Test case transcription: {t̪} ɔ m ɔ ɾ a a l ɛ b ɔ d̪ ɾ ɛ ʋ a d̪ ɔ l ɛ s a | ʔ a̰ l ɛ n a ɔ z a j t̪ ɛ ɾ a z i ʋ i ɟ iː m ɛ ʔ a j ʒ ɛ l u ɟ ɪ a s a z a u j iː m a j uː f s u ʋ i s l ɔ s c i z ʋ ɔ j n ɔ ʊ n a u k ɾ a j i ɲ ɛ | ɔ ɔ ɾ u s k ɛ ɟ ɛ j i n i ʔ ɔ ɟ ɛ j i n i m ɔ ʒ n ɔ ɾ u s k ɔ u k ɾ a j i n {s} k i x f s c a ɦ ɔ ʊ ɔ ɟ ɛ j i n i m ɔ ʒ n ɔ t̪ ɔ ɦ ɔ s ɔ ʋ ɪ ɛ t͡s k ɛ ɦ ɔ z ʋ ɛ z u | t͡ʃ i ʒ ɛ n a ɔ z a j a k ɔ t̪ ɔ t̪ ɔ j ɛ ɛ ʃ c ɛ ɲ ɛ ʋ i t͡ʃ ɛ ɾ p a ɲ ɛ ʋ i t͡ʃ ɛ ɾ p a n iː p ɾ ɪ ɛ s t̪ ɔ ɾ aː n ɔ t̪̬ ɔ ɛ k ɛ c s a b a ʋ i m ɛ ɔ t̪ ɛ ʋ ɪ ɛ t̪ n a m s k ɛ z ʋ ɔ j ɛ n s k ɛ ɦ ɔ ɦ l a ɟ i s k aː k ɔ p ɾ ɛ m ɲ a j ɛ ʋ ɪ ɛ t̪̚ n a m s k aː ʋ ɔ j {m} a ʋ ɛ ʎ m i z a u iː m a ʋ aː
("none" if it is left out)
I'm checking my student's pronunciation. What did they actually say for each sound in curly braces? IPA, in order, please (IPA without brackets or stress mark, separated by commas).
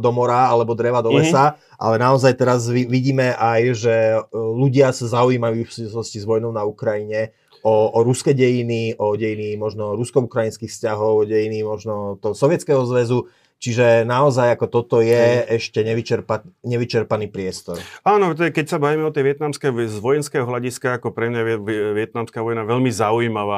d̪, s, n